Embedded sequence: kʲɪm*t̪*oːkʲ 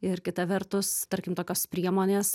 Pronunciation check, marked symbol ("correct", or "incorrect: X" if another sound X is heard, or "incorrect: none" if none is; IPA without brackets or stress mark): correct